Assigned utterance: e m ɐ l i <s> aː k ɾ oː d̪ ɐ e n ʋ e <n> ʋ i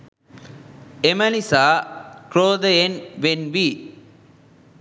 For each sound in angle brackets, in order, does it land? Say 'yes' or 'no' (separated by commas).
yes, yes